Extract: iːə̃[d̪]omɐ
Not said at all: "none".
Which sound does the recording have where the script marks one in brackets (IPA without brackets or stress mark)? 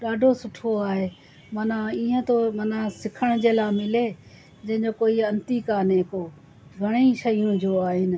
t̪